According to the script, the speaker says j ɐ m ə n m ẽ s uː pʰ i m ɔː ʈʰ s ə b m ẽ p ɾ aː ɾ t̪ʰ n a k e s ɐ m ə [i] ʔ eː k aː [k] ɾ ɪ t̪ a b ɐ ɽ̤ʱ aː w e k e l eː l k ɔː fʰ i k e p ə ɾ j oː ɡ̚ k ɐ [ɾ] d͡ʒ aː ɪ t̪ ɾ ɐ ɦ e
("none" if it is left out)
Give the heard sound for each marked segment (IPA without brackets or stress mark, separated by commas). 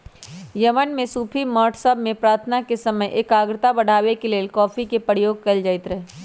j, ɡ, l